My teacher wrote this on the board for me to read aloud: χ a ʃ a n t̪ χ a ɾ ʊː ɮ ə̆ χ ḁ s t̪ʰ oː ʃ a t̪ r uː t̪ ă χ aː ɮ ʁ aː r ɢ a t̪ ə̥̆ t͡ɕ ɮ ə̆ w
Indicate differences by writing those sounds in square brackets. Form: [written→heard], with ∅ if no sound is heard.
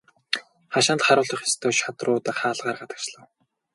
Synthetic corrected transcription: χ a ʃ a n t̪ χ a ɾ ʊː ɮ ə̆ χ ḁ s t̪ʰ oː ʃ a t̪ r [uː→ʊː] t̪ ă χ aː ɮ ʁ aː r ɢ a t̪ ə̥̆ t͡ɕ ɮ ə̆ w